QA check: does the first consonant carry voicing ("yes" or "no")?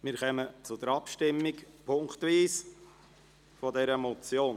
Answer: yes